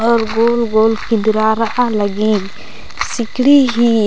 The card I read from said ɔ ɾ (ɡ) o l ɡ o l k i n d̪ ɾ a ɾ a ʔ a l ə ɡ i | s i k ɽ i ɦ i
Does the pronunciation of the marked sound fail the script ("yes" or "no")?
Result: no